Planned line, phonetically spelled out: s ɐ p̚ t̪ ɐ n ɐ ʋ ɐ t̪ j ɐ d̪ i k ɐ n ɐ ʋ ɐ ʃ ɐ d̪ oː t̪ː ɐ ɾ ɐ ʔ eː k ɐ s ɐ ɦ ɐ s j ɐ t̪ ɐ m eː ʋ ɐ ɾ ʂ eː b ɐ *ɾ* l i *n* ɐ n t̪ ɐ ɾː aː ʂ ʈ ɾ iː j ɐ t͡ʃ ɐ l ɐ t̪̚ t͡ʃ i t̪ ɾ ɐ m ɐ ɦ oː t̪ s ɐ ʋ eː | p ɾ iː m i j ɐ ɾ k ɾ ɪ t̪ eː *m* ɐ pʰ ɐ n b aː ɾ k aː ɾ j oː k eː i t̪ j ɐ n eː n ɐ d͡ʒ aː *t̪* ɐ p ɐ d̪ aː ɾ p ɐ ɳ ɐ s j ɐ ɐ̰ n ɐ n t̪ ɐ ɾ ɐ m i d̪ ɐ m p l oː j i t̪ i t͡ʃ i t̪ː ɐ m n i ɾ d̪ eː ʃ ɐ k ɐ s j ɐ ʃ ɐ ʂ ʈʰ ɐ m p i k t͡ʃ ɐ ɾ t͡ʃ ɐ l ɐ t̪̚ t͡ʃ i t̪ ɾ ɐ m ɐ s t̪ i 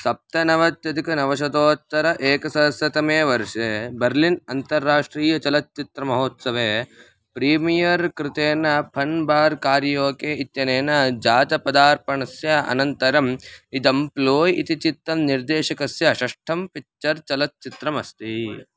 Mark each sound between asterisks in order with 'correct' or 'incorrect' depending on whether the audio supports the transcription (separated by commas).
correct, correct, incorrect, correct